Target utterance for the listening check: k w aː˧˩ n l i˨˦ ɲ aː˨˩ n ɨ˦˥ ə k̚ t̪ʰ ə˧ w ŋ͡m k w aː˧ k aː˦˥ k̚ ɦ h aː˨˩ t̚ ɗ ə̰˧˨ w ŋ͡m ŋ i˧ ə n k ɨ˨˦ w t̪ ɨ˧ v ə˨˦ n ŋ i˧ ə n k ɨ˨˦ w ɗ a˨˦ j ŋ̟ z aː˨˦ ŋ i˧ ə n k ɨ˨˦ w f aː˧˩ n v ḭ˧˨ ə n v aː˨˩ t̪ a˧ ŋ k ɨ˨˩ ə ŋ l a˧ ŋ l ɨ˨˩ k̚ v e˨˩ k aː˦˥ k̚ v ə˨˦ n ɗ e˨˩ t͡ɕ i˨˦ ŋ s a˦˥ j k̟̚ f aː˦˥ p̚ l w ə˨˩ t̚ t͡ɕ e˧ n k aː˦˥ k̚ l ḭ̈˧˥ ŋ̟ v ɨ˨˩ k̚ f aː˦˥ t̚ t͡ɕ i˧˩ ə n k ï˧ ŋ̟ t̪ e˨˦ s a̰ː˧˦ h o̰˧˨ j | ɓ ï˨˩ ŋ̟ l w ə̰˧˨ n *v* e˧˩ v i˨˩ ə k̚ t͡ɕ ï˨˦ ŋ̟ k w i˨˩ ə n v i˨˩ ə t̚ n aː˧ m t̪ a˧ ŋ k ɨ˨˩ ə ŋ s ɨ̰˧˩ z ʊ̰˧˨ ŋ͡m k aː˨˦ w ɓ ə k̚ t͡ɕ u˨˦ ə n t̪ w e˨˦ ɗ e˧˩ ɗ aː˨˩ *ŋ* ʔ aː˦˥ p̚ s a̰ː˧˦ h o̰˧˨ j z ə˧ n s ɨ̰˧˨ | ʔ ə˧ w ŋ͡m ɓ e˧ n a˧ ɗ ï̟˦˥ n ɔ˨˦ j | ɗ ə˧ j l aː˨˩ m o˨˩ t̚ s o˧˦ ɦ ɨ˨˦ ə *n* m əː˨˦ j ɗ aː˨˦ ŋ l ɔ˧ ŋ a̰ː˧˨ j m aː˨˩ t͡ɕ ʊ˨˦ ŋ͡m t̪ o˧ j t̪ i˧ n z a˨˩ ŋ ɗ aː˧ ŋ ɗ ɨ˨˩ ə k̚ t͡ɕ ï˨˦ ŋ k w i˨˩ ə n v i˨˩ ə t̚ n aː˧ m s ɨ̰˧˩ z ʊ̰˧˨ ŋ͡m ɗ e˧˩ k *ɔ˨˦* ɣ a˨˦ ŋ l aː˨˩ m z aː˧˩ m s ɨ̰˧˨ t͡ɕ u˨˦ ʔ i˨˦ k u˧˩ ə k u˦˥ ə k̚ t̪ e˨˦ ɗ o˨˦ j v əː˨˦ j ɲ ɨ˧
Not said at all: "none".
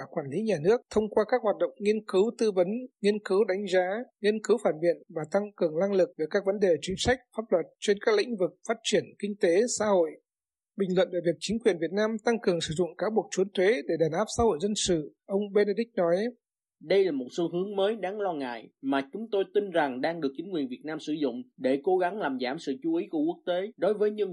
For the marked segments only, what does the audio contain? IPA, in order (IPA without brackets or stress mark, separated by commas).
v, n, ŋ, o˨˦